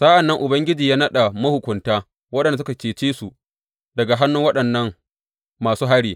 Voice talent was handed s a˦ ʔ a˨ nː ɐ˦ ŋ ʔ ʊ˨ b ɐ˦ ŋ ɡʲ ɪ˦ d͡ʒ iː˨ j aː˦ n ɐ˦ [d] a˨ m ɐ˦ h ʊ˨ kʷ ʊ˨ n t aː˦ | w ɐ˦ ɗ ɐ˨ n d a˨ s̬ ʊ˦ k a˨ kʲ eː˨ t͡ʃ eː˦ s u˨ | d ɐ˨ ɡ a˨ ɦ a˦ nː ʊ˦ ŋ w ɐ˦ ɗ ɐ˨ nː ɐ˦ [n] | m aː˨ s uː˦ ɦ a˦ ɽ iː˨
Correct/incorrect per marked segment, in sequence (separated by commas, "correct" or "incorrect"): incorrect, incorrect